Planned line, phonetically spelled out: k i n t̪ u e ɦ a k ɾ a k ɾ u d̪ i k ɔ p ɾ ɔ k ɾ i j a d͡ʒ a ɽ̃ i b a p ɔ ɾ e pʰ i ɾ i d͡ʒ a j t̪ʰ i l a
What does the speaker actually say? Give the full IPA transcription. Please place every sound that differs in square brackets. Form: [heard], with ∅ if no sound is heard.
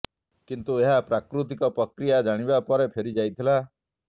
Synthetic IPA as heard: k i n t̪ u e ɦ a [p] ɾ a k ɾ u [t̪] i k ɔ p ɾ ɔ k ɾ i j a d͡ʒ a ɽ̃ i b a p ɔ ɾ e pʰ [e] ɾ i d͡ʒ a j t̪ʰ i l a